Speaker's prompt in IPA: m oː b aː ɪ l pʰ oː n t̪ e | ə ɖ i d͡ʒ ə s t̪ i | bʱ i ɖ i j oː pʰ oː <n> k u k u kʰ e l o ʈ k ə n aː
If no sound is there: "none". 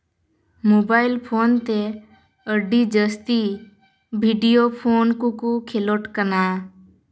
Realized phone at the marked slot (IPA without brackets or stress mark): n